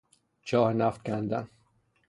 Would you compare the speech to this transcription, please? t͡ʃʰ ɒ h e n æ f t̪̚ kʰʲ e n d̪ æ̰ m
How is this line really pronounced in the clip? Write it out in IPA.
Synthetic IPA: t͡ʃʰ ɒː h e n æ f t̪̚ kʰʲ æ n d̪ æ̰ n